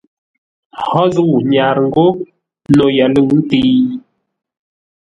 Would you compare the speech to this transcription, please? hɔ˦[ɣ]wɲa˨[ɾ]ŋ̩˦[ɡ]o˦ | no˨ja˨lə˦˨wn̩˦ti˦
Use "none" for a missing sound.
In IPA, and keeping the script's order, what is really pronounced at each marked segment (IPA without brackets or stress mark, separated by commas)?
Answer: z, ɾ, ɡ